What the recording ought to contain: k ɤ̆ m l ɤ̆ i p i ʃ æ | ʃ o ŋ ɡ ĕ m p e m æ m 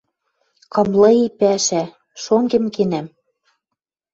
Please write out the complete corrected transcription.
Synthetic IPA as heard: k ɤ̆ m l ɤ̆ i p æ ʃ æ | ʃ o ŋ ɡ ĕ m k e n æ m